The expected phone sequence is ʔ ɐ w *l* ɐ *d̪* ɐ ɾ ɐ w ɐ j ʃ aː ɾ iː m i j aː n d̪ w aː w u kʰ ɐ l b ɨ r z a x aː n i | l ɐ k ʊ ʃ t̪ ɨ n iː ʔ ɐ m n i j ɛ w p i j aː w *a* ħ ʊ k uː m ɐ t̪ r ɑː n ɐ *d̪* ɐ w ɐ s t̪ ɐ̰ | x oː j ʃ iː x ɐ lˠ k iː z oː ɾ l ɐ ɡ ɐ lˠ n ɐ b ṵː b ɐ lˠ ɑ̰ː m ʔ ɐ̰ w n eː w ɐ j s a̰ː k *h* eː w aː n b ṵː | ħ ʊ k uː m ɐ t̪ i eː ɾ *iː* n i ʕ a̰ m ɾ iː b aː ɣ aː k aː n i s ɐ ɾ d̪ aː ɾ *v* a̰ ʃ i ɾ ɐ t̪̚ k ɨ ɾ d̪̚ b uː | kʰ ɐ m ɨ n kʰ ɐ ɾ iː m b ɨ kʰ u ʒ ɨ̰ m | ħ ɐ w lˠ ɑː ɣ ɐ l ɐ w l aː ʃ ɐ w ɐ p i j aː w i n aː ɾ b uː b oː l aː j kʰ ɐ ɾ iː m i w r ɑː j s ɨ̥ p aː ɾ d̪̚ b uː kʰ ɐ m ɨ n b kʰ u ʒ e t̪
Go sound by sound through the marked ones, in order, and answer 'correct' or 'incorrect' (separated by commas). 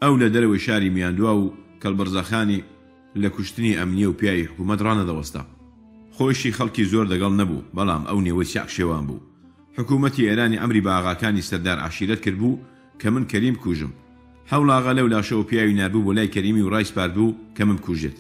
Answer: correct, correct, incorrect, correct, incorrect, incorrect, incorrect